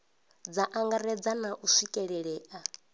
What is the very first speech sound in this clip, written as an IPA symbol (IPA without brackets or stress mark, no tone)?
d͡z